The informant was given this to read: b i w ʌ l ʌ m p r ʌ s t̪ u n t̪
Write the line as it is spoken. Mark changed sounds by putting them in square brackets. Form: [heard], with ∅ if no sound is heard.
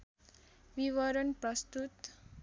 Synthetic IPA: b i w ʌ [ɾ] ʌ [n] p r ʌ s t̪ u [∅] t̪